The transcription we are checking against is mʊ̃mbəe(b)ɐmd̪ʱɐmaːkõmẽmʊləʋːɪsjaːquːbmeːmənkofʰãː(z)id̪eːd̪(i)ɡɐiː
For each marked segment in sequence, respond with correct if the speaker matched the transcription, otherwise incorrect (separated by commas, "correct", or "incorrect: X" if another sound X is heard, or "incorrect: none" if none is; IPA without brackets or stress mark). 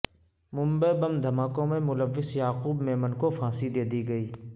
correct, incorrect: s, correct